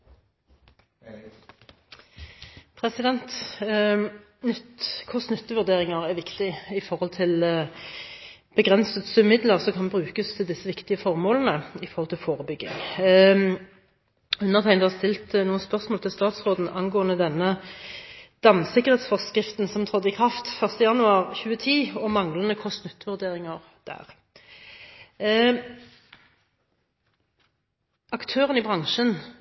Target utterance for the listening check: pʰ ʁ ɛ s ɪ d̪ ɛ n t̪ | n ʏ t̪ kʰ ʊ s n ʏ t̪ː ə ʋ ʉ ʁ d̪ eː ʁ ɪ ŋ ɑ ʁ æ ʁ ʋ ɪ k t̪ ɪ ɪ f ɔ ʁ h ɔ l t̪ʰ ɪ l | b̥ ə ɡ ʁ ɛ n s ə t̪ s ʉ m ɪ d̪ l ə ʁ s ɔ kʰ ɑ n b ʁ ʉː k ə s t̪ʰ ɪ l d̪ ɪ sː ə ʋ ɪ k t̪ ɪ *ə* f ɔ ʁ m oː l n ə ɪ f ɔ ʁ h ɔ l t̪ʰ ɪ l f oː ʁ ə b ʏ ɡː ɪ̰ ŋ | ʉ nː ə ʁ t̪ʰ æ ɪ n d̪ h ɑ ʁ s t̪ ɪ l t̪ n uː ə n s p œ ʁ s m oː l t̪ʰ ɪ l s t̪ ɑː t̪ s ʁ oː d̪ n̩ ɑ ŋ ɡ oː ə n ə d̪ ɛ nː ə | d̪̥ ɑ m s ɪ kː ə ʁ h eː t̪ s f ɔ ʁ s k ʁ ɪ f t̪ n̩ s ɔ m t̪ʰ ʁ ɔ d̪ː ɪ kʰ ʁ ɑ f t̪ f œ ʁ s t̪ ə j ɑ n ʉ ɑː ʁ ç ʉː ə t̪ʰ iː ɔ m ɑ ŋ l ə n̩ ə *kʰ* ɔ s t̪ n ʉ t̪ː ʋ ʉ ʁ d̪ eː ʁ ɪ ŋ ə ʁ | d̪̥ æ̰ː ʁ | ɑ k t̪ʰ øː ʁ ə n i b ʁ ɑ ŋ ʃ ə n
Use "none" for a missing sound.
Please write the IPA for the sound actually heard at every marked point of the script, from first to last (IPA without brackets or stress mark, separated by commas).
ə, kʰ